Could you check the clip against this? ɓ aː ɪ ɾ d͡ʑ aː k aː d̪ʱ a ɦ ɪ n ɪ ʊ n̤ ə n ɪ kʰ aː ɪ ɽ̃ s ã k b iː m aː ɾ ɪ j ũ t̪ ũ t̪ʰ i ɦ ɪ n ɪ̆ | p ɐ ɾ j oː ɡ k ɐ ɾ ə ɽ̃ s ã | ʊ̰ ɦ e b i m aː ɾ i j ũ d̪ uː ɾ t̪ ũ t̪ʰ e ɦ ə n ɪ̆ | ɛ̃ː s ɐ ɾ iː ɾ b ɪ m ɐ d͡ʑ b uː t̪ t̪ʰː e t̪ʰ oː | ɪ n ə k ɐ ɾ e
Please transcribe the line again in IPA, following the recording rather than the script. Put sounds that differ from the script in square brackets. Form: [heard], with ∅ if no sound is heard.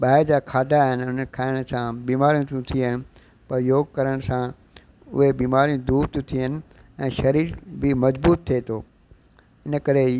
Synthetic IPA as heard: ɓ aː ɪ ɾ d͡ʑ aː [kʰ] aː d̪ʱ a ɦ ɪ n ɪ ʊ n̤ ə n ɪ kʰ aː ɪ ɽ̃ s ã [∅] b iː m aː ɾ [i] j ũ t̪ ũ t̪ʰ i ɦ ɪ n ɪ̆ | p ɐ ɾ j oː ɡ k ɐ ɾ ə ɽ̃ s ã | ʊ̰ ɦ e b [iː] m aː ɾ i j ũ d̪ uː ɾ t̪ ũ t̪ʰ [i] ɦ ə n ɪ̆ | ɛ̃ː [ʃ] ɐ ɾ iː ɾ b ɪ m ɐ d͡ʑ b uː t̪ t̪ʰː e t̪ʰ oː | ɪ n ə k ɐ ɾ e